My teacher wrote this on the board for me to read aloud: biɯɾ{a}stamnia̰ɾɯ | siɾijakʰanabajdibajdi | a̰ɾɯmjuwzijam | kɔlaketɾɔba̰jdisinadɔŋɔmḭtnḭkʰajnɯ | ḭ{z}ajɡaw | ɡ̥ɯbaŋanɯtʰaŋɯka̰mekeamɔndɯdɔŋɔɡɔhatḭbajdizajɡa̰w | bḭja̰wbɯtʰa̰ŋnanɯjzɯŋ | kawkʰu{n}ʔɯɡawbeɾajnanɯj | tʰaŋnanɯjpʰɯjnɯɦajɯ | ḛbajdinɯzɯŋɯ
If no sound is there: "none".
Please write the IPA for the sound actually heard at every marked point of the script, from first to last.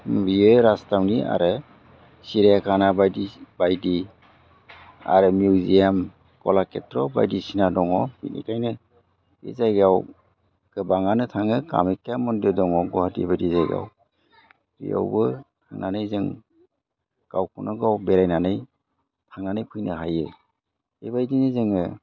a, z, n

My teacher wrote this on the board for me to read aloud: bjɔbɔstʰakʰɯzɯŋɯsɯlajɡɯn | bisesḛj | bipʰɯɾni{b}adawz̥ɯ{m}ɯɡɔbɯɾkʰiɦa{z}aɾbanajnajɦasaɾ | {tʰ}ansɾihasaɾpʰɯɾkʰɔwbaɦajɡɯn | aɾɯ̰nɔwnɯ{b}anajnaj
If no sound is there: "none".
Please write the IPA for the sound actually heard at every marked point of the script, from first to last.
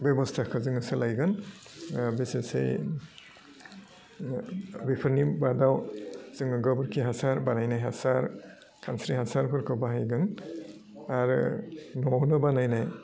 b, ŋ, s, kʰ, b

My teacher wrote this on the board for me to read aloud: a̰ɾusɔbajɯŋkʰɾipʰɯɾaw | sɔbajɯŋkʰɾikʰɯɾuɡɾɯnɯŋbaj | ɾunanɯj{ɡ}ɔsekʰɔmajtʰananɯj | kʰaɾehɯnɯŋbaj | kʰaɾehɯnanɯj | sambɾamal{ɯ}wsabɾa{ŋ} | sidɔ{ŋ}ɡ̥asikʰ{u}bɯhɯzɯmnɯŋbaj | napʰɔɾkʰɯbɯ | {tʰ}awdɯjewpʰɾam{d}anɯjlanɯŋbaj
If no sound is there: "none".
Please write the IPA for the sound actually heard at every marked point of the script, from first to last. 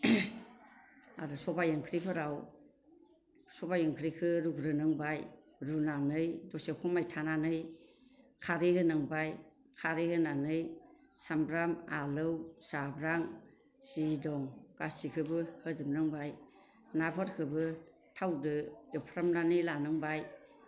d, ɯ, ŋ, ŋ, ɯ, tʰ, n

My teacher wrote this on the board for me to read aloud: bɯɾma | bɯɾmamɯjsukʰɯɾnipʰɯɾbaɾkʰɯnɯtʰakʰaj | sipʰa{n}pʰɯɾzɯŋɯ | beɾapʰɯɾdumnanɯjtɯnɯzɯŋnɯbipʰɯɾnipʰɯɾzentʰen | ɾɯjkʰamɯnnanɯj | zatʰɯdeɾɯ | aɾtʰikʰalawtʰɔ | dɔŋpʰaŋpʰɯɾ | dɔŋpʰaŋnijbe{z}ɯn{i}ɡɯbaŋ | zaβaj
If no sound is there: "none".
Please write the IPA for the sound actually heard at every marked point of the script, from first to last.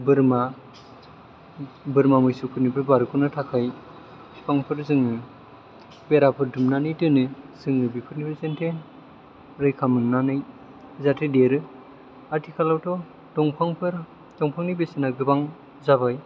ŋ, s, a

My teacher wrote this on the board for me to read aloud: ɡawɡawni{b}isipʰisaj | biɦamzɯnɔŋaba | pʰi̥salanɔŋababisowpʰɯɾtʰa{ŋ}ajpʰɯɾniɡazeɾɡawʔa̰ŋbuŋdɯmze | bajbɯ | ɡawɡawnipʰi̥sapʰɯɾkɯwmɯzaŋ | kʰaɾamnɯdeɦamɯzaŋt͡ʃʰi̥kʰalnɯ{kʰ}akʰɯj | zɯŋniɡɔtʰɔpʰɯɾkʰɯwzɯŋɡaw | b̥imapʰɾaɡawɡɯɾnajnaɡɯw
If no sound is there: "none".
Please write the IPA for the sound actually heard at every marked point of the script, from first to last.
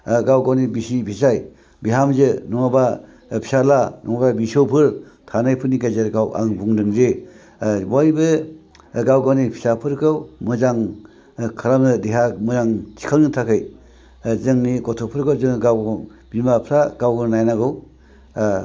b, n, tʰ

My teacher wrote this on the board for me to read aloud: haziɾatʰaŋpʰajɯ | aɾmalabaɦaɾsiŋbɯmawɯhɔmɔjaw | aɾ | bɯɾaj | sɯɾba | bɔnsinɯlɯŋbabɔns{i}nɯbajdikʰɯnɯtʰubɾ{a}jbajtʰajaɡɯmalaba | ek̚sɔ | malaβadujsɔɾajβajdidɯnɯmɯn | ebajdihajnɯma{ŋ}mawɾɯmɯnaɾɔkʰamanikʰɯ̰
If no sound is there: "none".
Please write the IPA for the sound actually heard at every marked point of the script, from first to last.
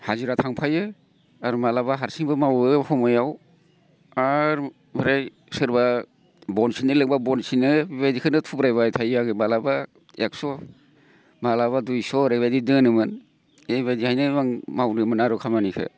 i, a, ŋ

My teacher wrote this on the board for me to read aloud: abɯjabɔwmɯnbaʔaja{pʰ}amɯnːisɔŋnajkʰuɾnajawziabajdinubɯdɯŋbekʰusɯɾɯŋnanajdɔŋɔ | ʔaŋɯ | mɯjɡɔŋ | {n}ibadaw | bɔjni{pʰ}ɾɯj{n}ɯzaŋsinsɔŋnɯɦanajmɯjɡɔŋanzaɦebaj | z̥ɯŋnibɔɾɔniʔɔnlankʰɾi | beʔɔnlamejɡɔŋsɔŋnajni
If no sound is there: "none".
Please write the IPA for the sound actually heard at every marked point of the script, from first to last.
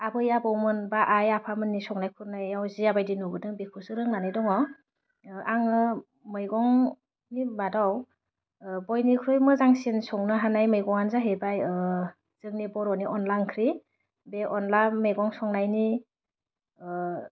pʰ, n, kʰ, m

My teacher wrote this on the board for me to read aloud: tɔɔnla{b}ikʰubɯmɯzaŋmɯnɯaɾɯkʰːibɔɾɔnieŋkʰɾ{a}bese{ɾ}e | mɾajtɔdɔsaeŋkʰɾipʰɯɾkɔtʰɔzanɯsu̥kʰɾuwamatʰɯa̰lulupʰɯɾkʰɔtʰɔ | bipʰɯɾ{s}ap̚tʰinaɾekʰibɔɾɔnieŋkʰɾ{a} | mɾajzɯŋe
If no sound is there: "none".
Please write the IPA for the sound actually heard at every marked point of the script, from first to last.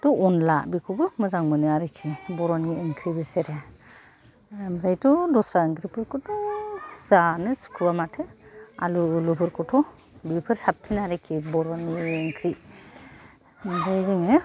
b, i, ɾ, s, i

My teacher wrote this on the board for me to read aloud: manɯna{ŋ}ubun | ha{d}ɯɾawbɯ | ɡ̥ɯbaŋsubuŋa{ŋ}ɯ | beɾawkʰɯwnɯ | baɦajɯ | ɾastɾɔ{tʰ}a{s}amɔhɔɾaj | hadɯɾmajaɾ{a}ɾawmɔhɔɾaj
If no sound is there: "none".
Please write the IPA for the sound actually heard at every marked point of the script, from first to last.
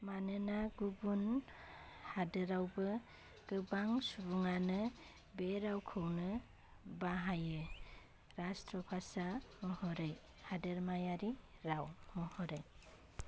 ɡ, d, n, pʰ, s, i

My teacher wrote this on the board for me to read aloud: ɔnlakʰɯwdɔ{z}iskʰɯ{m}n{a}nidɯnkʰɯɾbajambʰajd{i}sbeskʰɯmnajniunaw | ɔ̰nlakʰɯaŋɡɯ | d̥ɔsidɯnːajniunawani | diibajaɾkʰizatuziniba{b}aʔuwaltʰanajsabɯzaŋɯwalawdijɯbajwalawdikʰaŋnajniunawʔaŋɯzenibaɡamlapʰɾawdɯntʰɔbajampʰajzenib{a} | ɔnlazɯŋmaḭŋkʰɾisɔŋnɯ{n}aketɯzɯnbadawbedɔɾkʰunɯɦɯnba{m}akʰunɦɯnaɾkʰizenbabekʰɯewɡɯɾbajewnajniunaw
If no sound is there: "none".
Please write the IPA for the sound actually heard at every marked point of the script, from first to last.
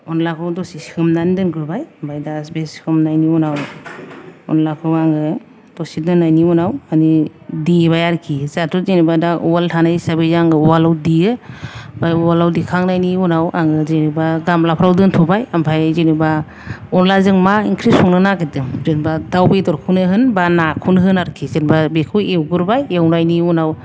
s, m, a, a, d, a, n, n

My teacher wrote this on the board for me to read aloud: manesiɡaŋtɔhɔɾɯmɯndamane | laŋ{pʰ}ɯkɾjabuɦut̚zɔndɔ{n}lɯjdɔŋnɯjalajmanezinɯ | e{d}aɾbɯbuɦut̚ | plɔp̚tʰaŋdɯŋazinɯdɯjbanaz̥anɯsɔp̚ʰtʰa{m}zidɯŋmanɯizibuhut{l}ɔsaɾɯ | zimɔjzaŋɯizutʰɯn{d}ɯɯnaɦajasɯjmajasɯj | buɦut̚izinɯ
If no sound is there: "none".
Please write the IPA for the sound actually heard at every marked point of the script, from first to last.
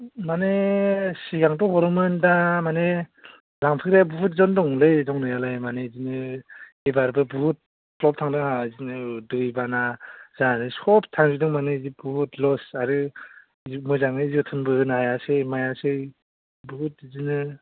pʰ, ŋ, b, ŋ, l, b

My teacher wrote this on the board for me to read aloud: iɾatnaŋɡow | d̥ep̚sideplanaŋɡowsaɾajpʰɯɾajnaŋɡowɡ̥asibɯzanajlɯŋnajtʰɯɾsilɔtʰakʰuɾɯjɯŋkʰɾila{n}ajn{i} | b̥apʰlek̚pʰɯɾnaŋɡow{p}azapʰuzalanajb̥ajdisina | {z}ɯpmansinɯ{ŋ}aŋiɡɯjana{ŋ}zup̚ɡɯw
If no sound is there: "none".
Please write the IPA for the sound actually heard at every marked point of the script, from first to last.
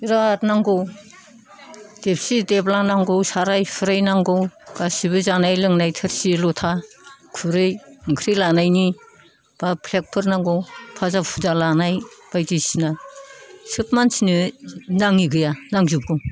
n, i, pʰ, s, n, ŋ

